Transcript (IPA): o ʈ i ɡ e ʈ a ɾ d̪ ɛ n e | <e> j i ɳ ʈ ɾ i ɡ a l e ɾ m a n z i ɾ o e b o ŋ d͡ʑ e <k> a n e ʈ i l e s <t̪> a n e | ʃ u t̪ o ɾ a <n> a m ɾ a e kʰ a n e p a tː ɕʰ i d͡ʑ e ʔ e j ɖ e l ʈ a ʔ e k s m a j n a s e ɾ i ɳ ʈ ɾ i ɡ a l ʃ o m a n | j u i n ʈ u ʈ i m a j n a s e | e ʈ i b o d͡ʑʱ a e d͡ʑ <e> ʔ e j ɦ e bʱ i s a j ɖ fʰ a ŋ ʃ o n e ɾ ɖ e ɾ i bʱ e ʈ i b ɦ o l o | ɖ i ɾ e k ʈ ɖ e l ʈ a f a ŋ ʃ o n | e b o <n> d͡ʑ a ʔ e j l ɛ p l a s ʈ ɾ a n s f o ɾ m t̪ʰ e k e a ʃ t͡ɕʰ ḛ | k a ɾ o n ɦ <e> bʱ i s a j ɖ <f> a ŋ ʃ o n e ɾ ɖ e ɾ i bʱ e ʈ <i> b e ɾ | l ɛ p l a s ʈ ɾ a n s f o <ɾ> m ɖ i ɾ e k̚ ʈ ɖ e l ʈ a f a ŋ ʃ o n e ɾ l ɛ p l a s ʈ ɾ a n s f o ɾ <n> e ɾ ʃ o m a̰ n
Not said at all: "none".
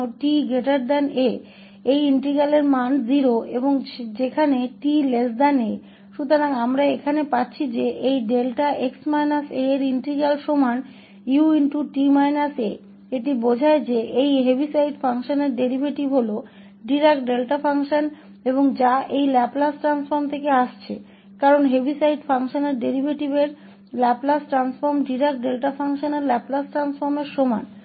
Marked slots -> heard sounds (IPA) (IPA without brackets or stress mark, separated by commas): e, kʰ, d̪, ŋ, e, ŋ, e, f, i, ɾ, m